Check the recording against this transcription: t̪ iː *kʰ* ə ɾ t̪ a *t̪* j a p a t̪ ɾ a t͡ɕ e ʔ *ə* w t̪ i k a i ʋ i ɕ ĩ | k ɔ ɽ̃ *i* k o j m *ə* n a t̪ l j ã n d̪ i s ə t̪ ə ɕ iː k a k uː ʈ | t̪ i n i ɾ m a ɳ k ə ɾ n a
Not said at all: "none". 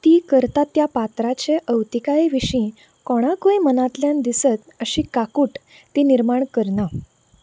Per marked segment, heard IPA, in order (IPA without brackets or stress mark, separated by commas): k, t̪, ə, a, ə